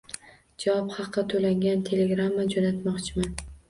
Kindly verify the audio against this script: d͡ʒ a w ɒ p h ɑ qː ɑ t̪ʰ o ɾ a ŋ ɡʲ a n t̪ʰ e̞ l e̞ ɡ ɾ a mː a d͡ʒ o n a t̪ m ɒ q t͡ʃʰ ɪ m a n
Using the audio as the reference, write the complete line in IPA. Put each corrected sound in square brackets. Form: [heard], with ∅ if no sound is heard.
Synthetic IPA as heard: d͡ʒ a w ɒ p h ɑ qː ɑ t̪ʰ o [l] a ŋ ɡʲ a n t̪ʰ e̞ l e̞ ɡ ɾ a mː a d͡ʒ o n a t̪ m ɒ q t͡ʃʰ ɪ m a n